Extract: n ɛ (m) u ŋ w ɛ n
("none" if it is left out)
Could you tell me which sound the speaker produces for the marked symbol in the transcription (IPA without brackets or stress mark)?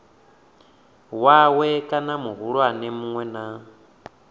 m